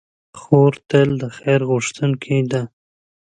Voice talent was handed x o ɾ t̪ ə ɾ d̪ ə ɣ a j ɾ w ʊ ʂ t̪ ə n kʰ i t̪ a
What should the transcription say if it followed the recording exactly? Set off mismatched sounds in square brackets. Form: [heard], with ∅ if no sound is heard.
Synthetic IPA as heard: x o ɾ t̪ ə [l] d̪ ə [x] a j ɾ [ɣ] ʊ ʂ t̪ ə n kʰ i [d̪] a

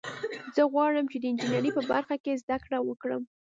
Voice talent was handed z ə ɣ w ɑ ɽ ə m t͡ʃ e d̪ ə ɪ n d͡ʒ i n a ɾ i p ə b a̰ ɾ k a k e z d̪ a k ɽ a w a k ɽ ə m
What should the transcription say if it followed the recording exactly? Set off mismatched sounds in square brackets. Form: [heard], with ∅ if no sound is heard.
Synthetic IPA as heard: z ə ɣ w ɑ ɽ ə m t͡ʃ e d̪ ə ɪ n d͡ʒ i n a ɾ i p ə b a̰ ɾ [x] a k e z d̪ a k ɽ a w [ə] k ɽ ə m

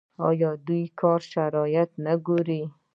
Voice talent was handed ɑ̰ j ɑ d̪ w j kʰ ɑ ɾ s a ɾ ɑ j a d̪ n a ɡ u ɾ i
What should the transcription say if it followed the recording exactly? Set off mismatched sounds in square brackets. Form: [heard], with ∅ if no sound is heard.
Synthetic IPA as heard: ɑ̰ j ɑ d̪ [u] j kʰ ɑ ɾ [ʃ] a ɾ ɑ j a [t̪] n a ɡ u ɾ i

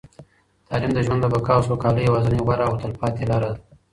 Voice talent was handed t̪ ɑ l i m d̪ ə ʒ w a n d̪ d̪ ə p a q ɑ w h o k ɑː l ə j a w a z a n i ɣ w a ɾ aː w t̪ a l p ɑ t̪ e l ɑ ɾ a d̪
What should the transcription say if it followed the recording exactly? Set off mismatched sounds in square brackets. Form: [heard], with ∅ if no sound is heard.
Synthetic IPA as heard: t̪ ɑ l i m d̪ ə ʒ w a n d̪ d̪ ə [b] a [k] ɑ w [s] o k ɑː l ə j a w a z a n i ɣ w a ɾ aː w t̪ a l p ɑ t̪ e l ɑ ɾ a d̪

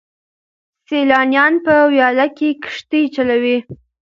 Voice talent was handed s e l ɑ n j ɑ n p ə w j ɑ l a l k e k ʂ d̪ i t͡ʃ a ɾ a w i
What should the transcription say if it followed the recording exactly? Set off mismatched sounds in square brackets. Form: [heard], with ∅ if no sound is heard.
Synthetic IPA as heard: s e l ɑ n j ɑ n p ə w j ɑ l a [∅] k e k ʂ [t̪] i t͡ʃ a [l] a w i

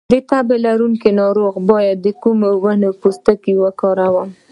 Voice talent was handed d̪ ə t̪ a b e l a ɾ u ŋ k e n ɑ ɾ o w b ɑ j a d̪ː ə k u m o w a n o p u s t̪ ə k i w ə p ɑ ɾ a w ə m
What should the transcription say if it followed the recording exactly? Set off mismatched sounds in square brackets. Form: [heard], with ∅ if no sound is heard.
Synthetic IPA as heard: d̪ ə t̪ a b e l a ɾ u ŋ k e n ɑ ɾ o [ɣ] b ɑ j a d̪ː ə k u m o w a n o p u s t̪ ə k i w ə [k] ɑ ɾ a w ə m

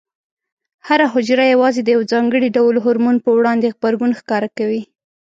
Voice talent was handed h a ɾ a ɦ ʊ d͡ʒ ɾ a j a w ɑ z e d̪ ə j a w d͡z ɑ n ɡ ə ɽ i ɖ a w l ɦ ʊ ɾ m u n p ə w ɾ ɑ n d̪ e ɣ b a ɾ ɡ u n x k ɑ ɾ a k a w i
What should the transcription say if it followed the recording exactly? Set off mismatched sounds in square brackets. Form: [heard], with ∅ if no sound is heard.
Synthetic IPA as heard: h a ɾ a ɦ ʊ d͡ʒ ɾ a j a w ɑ z e d̪ ə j a w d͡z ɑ [ŋ] ɡ ə ɽ i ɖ a w l ɦ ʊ ɾ m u n p ə w [ɽ] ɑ n d̪ e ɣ b a ɾ ɡ u n x k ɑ ɾ a k a w i

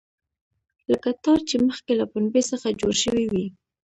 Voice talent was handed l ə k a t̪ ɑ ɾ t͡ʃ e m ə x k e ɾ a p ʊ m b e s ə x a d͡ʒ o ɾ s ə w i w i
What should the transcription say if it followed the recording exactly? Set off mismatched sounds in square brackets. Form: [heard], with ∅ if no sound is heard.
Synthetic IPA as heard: l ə k a t̪ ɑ ɾ t͡ʃ e m ə x k e [l] a p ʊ [n] b e s ə x a d͡ʒ o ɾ [ʃ] ə w i w i

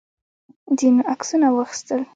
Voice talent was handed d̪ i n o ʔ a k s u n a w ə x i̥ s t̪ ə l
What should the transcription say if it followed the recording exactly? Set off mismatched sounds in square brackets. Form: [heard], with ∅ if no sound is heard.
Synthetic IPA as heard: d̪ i n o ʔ a k s u n a w ə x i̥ s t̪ ə l

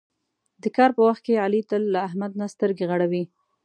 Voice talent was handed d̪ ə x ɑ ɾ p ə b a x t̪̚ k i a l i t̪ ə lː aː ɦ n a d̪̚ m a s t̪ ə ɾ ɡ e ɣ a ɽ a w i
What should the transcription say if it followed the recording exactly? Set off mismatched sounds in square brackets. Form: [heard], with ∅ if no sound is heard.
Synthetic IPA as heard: d̪ ə [k] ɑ ɾ p ə [w] a x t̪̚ k [e] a l i t̪ ə lː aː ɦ [m] a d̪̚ [n] a s t̪ ə ɾ ɡ e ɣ a ɽ a w i

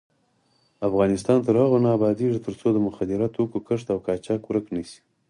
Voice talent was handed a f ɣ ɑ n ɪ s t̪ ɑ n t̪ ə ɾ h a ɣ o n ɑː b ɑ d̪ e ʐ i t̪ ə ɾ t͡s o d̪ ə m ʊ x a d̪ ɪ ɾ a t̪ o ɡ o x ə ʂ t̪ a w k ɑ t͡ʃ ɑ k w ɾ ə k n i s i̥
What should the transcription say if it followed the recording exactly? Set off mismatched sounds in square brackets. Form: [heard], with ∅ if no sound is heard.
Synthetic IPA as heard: a f ɣ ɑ n ɪ s t̪ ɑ n t̪ ə ɾ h a ɣ o n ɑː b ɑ d̪ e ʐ i t̪ ə ɾ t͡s o d̪ ə m ʊ x a d̪ ɪ ɾ a t̪ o [k] o [k] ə ʂ t̪ a w k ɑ t͡ʃ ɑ k w ɾ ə k n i s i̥

